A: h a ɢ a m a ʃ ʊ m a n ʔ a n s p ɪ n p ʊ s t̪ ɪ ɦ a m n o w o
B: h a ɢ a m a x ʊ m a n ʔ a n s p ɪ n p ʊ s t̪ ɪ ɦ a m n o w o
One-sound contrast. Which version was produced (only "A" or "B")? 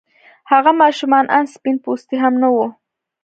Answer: A